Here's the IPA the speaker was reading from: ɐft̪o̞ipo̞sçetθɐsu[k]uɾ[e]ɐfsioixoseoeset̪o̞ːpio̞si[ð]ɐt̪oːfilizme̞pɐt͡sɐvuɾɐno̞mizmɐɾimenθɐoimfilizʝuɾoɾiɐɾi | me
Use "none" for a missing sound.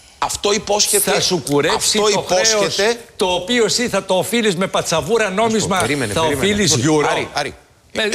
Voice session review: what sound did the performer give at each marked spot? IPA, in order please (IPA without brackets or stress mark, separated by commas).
k, e, θ